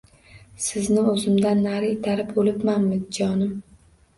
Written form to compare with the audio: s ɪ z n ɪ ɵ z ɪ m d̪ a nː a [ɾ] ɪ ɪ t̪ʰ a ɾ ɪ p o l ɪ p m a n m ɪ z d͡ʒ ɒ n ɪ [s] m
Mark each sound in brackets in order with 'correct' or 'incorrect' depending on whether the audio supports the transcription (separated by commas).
correct, incorrect